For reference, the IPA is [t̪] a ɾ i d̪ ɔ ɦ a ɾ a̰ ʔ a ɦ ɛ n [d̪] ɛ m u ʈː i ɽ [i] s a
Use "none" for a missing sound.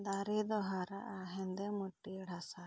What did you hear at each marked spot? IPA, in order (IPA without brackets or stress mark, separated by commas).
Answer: d̪, d̪, a